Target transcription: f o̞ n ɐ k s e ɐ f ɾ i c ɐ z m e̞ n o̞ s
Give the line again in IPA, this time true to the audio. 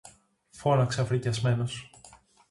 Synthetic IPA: f o̞ n ɐ k s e ɐ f ɾ i c ɐ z m e̞ n o̞ s